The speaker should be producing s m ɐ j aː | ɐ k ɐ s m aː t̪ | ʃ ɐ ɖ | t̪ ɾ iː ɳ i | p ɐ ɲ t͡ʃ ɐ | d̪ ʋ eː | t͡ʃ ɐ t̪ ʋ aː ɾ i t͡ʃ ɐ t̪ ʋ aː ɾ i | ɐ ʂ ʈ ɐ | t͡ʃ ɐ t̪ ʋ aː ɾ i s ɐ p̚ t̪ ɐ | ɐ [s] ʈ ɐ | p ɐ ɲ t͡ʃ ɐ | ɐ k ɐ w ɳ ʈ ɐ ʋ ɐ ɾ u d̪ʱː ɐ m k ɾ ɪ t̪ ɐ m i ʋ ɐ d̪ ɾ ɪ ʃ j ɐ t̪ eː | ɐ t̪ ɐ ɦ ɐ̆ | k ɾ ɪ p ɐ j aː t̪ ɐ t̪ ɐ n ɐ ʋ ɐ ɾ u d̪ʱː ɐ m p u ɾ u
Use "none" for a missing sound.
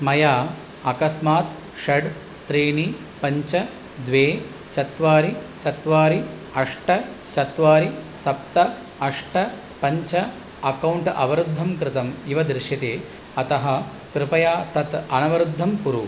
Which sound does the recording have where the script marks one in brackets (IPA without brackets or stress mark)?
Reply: ʂ